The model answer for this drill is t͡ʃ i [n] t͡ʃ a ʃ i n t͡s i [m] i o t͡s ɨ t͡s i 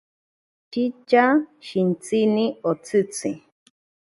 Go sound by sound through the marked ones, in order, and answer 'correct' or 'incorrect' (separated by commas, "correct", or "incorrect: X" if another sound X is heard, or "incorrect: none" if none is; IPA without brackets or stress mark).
incorrect: none, incorrect: n